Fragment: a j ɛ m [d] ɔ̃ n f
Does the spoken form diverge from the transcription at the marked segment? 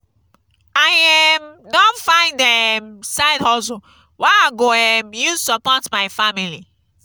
no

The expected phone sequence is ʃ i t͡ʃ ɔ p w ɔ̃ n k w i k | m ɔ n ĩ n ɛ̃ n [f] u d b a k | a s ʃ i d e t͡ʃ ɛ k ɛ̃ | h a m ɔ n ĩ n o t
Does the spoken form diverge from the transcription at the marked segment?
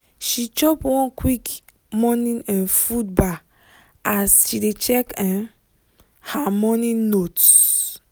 no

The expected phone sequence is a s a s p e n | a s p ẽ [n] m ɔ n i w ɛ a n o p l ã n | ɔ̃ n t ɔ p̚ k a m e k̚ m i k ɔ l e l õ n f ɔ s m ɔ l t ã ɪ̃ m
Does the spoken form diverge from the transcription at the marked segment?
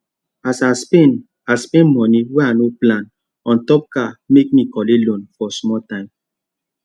no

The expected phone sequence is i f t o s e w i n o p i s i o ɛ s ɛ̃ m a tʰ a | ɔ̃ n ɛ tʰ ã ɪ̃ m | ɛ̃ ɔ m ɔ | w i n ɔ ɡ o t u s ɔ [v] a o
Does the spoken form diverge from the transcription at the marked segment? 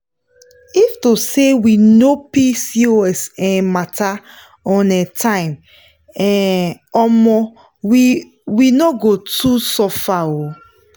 yes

